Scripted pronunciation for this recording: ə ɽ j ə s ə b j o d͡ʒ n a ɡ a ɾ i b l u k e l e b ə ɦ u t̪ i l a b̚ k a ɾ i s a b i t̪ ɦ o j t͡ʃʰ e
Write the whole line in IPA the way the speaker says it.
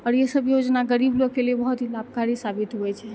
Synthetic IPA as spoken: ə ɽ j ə s ə b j o d͡ʒ n a ɡ ə ɾ i b l o k e l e b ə ɦ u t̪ i l a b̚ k a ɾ i s a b i t̪ ɦ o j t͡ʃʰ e